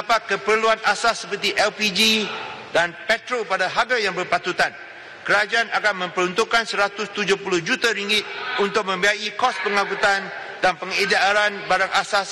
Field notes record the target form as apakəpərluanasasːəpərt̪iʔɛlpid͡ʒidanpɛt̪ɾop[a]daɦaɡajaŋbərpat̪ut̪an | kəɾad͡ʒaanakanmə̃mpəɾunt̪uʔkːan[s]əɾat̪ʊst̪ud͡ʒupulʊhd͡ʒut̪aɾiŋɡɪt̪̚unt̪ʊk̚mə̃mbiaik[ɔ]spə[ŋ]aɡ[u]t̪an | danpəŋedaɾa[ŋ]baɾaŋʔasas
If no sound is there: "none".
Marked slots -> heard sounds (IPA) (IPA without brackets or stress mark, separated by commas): a, s, ɔ, ŋ, u, n